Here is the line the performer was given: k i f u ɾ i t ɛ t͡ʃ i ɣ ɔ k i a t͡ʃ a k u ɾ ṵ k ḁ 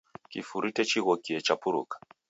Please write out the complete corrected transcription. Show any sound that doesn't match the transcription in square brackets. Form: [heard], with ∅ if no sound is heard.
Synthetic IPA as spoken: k i f u ɾ i t ɛ t͡ʃ i ɣ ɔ k i [ɛ] t͡ʃ a [p] u ɾ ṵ k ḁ